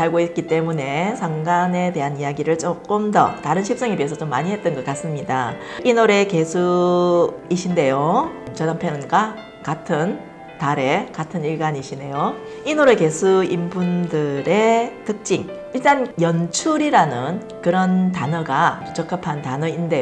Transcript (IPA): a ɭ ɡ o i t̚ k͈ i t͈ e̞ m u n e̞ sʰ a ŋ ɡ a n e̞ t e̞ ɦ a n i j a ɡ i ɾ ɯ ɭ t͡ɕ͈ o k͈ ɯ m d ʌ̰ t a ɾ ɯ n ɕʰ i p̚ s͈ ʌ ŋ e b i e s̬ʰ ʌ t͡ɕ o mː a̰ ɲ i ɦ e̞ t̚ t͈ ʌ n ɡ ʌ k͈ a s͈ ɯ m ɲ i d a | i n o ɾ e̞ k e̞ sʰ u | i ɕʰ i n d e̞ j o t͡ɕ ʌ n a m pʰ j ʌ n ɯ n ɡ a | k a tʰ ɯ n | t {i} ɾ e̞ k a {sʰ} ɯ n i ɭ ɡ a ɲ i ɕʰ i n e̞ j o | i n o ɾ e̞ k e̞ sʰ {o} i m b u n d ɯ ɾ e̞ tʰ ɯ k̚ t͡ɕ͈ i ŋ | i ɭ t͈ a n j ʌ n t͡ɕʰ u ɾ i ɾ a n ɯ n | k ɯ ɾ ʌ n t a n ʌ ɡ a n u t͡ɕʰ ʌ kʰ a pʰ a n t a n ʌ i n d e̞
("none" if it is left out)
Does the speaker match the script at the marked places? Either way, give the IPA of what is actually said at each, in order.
a, tʰ, u

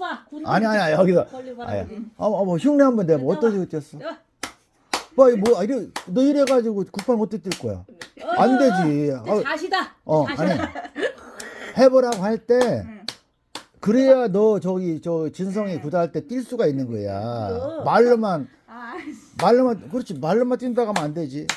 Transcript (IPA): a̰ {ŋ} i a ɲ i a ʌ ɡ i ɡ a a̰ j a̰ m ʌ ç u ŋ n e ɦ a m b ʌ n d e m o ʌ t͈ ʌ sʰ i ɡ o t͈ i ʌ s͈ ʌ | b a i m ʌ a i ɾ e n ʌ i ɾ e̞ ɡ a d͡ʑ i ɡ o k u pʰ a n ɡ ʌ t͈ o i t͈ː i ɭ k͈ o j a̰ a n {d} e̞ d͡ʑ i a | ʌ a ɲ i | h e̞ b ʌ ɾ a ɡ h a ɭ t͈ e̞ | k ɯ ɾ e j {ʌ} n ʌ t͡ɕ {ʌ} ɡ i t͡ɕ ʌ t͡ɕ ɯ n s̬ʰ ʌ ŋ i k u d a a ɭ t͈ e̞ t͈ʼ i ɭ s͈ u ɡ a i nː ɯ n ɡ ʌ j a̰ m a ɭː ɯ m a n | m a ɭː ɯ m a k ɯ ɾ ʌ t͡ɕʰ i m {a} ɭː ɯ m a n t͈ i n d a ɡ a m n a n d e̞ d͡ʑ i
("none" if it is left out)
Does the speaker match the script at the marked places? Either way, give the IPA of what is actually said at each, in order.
ɲ, d, a, ʌ, a

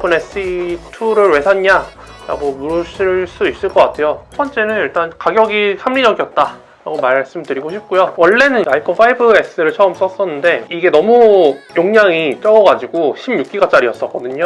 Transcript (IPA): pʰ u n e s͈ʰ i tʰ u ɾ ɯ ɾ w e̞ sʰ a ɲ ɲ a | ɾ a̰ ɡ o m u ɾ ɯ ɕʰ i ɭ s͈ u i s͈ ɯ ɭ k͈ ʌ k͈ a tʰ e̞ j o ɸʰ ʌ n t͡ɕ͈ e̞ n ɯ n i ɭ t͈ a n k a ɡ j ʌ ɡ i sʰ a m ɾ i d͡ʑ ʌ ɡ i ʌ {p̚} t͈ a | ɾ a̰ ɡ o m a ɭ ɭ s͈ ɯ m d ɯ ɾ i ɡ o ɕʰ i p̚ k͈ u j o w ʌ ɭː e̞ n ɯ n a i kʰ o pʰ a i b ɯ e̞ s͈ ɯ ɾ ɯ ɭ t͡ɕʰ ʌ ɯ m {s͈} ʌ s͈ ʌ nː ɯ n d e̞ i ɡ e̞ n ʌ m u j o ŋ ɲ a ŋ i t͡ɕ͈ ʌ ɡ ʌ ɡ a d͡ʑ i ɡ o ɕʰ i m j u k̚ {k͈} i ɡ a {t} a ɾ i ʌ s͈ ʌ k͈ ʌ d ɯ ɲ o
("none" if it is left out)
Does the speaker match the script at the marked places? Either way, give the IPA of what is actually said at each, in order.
t̚, s͈, k͈, t͡ɕ͈

